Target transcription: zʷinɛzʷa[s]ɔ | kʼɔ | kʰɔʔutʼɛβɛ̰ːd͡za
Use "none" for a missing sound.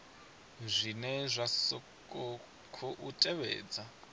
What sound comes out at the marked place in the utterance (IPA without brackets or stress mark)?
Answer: s